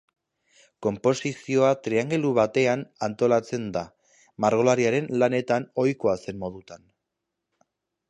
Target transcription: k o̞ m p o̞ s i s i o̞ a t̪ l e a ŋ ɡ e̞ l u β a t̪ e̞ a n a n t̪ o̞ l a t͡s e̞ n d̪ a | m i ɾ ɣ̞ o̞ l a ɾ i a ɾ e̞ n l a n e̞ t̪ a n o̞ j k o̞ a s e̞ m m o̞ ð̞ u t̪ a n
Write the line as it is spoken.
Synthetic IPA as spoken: k o̞ m p o̞ s i s i o̞ a t̪ ɾ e a ŋ ɡ e̞ l u β a t̪ e̞ a n a n t̪ o̞ l a t͡s e̞ n d̪ a | m a ɾ ɣ̞ o̞ l a ɾ i a ɾ e̞ n l a n e̞ t̪ a n o̞ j k o̞ a s e̞ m m o̞ ð̞ u t̪ a n